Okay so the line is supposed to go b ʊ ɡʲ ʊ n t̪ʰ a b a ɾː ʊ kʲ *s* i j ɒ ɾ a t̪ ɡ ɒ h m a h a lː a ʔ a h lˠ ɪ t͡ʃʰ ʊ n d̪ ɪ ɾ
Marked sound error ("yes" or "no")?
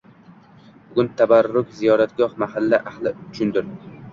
yes